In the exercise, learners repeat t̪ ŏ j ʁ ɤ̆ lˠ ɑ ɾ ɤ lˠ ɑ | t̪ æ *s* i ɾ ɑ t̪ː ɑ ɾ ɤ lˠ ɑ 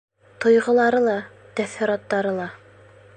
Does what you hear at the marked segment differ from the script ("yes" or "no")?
yes